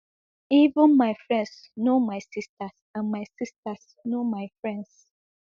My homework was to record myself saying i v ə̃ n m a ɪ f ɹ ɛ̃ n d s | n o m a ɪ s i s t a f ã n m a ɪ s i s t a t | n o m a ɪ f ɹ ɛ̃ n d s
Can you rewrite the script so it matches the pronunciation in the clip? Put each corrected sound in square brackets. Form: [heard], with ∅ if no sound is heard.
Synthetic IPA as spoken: i v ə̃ n m a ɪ f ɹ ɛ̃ n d s | n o m a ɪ s i s t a [s] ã n m a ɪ s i s t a [s] | n o m a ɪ f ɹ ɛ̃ n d s